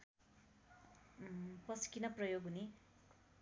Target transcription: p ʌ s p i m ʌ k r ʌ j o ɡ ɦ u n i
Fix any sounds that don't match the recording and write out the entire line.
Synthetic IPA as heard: p ʌ s k i n ʌ p r ʌ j o ɡ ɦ u n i